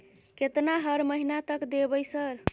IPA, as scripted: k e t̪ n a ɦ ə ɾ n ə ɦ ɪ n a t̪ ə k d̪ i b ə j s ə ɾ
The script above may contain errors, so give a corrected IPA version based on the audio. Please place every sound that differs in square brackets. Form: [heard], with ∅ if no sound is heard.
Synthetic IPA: k e t̪ n a ɦ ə ɾ [m] ə ɦ [i] n a t̪ ə k d̪ [e] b ə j s ə ɾ